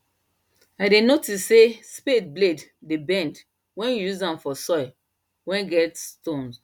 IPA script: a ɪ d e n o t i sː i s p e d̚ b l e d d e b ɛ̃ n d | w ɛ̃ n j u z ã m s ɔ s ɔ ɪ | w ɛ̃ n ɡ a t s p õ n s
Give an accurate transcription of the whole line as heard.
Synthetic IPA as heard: a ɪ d e n o t i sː e s p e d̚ b l e d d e b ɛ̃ n d | w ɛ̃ n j u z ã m f ɔ s ɔ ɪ | w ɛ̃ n ɡ ɛ t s t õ n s

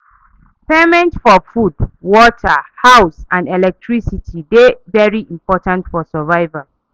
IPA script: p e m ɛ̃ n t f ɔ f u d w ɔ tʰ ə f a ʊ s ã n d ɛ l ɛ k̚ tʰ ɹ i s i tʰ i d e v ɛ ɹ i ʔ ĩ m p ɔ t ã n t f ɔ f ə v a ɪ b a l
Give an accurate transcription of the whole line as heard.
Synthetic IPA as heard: p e m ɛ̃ n t f ɔ f u d w ɔ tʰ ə h a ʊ s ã n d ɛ l ɛ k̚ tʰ ɹ i s i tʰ i d e v ɛ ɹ i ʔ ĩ m p ɔ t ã n t f ɔ s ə v a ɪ v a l

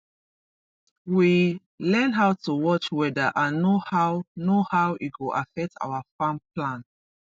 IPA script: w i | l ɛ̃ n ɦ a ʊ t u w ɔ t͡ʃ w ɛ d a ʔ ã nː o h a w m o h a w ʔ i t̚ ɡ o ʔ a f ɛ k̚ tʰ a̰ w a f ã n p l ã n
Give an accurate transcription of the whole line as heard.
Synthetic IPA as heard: w i | l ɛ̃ n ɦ a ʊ t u w ɔ t͡ʃ w ɛ d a ʔ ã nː o h a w n o h a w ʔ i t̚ ɡ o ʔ a f ɛ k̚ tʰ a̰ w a f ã m p l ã n

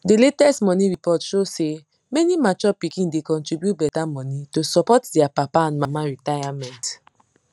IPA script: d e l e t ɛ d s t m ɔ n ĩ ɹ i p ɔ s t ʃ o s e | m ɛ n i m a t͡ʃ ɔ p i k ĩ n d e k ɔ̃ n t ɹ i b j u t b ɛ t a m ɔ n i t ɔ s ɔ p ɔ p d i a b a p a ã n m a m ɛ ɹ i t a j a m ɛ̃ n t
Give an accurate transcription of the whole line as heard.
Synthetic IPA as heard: d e l e t ɛ s t m ɔ n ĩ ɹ i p ɔ t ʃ o s e | m ɛ n i m a t͡ʃ ɔ p i k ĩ n d e k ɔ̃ n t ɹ i b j u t b ɛ t a m ɔ n i t o s ɔ p ɔ t d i a p a p a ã n m a m a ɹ i t a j a m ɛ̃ n t

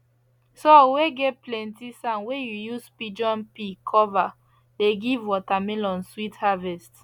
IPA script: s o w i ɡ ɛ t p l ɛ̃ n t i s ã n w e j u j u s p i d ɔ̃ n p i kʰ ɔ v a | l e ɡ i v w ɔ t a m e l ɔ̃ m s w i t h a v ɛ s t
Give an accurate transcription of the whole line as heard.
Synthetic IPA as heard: s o w e ɡ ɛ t p l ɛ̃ n t i s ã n w e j u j u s p i d͡ʒ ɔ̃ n p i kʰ ɔ v a | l e ɡ i v w ɔ t a m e l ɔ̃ n s w i t h a v ɛ s t

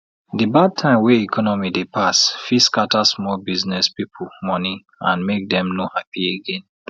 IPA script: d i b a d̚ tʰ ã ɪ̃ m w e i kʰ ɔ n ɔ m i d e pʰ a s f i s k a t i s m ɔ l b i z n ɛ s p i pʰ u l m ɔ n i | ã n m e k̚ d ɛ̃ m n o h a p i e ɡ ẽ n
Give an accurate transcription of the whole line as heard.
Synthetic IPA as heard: d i b a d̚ tʰ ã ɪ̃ m w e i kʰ ɔ n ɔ m i d e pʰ a s f i s k a t a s m ɔ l b i z n ɛ s p i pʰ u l m ɔ n i | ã n m e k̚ d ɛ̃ m n o h a p i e ɡ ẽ n

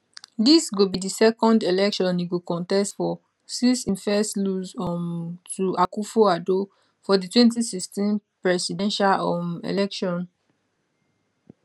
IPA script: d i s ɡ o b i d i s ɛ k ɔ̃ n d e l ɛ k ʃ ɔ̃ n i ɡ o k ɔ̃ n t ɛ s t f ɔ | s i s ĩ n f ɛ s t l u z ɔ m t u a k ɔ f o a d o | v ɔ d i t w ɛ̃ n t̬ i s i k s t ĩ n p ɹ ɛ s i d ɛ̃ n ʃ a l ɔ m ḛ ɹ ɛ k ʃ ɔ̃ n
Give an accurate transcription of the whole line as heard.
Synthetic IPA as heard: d i s ɡ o b i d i s ɛ k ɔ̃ n d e l ɛ k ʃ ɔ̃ n i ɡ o k ɔ̃ n t ɛ s t f ɔ | s i s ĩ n f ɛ s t l u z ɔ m t u a k u f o a d o | f ɔ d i t w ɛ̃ n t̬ i s i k s t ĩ n p ɹ ɛ s i d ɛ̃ n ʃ a l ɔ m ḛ l ɛ k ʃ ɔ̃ n

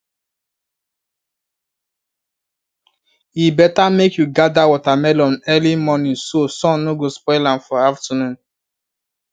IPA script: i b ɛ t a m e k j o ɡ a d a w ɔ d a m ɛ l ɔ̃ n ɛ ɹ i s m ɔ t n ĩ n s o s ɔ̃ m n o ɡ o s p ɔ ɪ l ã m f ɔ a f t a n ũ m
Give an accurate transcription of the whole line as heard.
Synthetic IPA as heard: i b ɛ t a m e k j u ɡ a d a w ɔ t a m ɛ l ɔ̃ n ɛ l i m ɔ n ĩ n s o s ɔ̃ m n o ɡ o s p ɔ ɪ l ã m f ɔ a f t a n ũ n

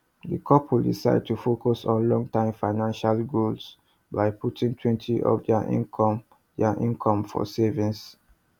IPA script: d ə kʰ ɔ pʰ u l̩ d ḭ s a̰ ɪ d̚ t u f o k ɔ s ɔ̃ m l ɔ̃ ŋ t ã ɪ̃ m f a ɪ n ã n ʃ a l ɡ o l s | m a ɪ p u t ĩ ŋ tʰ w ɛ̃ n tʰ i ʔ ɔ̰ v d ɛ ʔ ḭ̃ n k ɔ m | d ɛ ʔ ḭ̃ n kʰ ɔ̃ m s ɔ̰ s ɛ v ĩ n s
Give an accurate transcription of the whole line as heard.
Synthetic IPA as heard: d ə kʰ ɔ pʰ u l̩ d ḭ s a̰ ɪ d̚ t u f o k ɔ s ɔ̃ n l ɔ̃ ŋ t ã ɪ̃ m f a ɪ n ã n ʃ a l ɡ o l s | b a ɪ p u t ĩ ŋ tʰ w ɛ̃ n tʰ i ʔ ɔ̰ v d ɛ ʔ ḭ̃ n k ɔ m | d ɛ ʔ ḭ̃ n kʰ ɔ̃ m f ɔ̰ s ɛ v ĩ n s

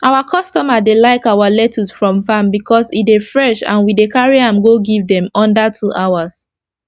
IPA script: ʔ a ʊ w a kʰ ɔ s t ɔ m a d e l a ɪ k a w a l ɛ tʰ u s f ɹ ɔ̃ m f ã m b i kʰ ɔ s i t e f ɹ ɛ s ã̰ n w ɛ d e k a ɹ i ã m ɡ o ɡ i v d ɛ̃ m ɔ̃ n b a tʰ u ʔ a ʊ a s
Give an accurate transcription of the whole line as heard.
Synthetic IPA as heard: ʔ a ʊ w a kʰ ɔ s t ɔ m a d e l a ɪ k a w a l ɛ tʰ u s f ɹ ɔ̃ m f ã m b i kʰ ɔ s i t e f ɹ ɛ ʃ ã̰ n w i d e k a ɹ i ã m ɡ o ɡ i v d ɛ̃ m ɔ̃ n d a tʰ u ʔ a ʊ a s

